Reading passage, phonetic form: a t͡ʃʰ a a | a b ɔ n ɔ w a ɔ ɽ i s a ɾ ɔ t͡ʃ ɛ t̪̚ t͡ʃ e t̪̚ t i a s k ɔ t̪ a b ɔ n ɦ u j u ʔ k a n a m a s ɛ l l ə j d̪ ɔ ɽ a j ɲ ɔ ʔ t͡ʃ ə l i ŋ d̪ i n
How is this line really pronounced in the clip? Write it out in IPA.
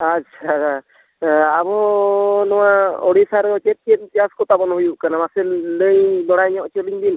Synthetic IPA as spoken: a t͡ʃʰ a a | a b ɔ n ɔ w a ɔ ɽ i s a ɾ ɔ t͡ʃ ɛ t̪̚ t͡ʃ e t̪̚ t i a s k ɔ t̪ a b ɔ n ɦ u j u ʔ k a n a m a s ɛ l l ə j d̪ ɔ ɽ a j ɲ ɔ ʔ t͡ʃ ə l i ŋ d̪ i n